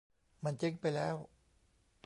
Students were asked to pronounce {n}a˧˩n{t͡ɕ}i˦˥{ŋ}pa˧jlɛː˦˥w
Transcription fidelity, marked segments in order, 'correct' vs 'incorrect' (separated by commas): incorrect, correct, correct